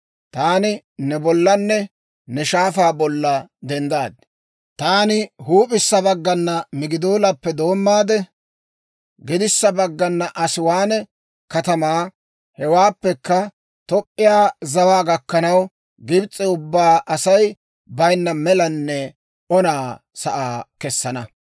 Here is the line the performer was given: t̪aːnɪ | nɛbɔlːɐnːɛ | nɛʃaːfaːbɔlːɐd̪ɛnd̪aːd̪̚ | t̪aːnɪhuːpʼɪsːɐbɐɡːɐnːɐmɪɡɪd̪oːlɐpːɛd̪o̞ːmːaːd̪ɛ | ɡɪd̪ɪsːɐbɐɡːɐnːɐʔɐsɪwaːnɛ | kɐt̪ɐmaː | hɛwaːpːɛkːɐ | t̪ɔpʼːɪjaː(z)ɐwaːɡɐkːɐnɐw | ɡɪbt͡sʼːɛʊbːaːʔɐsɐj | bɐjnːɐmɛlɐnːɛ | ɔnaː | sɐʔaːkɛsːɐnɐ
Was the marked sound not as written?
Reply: no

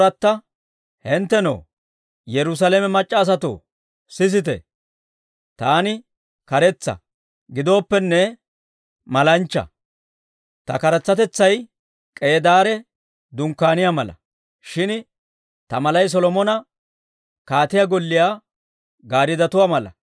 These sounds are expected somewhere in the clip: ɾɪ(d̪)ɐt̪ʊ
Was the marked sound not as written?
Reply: no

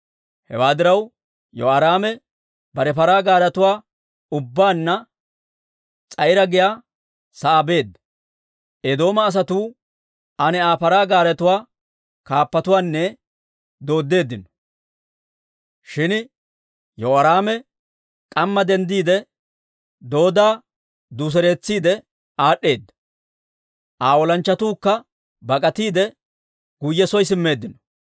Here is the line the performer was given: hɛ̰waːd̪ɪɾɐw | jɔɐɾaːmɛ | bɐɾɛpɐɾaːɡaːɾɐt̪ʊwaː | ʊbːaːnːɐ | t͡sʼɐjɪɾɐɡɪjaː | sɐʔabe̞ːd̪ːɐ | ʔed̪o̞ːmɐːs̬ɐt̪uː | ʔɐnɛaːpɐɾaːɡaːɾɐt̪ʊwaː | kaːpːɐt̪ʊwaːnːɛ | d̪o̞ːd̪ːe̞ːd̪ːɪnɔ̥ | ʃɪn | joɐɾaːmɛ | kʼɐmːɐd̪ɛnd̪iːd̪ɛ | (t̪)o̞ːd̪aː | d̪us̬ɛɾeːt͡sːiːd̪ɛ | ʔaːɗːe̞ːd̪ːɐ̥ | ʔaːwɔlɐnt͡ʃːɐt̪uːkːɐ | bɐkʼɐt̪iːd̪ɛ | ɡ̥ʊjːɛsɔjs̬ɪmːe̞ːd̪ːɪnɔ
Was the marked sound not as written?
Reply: yes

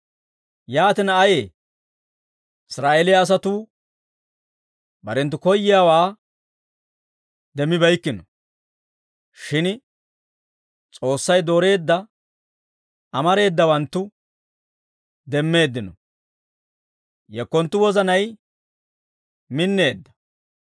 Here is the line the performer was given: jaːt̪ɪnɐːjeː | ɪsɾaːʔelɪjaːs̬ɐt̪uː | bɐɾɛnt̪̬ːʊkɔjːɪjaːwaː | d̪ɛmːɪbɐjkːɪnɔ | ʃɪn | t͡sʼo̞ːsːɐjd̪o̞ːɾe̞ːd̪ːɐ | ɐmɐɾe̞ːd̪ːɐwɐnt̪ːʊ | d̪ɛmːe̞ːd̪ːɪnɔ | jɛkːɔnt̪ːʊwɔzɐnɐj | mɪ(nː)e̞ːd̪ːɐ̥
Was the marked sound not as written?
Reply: no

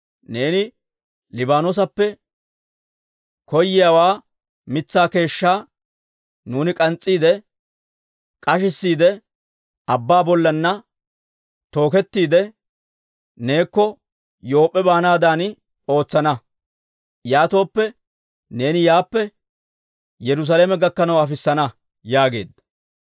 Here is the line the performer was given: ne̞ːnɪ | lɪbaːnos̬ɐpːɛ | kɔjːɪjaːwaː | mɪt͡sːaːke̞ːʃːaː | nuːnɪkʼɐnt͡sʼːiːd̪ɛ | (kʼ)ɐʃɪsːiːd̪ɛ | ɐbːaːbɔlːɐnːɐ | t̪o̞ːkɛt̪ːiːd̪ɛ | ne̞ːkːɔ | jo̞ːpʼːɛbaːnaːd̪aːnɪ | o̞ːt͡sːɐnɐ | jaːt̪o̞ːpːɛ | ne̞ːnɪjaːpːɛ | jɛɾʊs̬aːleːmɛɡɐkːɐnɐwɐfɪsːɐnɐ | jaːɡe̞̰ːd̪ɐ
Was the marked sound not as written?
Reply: no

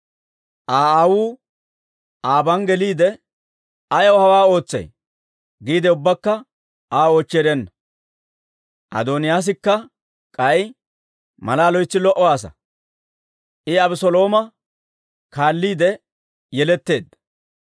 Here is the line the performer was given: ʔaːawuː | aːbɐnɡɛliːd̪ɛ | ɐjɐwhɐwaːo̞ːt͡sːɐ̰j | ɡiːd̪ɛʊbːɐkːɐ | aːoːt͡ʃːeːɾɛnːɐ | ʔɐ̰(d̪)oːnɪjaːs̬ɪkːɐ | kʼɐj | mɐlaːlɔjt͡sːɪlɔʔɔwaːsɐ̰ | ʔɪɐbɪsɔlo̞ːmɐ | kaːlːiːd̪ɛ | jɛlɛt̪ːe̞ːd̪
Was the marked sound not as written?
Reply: no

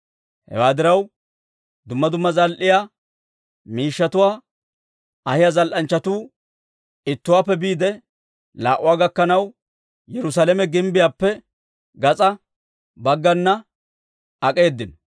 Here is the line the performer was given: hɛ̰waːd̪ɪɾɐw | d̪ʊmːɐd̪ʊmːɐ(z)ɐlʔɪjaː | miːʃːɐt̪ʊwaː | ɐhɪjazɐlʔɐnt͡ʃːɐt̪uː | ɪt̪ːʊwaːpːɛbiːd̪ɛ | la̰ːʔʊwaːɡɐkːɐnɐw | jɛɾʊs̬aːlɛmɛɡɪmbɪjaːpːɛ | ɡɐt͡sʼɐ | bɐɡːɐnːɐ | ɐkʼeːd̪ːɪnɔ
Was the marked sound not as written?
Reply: no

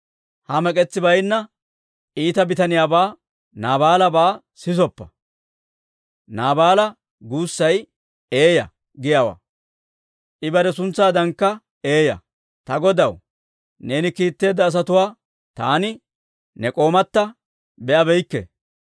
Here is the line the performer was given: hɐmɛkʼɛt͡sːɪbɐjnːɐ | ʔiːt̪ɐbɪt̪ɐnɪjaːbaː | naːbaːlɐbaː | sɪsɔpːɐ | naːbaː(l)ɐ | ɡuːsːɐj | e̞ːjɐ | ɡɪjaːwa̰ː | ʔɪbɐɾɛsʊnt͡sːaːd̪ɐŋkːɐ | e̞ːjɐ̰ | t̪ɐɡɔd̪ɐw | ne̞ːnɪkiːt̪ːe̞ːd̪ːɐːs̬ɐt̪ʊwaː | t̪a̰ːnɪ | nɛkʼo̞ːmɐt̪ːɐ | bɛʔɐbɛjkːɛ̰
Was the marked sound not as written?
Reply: no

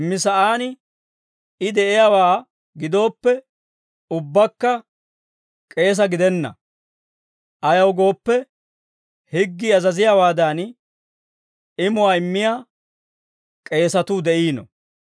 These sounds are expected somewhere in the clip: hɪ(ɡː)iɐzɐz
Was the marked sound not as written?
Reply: no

